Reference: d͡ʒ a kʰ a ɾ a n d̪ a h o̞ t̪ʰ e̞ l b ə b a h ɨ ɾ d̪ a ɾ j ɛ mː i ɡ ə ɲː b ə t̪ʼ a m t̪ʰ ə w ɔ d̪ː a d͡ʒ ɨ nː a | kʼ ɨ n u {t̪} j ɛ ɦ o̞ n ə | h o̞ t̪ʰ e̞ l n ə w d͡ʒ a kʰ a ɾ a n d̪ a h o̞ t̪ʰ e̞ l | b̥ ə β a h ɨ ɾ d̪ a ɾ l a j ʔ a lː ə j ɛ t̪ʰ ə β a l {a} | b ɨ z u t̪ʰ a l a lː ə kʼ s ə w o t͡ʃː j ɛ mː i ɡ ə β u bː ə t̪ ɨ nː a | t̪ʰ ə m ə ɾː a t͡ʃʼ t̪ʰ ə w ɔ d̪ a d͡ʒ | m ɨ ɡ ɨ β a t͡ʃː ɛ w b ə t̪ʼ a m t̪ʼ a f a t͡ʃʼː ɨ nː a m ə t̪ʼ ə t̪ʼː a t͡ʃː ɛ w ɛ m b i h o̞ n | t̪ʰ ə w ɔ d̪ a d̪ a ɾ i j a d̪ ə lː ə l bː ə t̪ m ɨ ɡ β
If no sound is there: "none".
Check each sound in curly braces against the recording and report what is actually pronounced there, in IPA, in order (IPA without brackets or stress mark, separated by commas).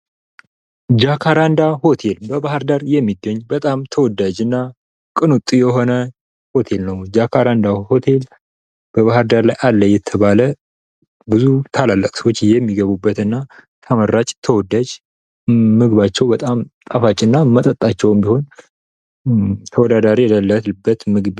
t̪ʼ, ə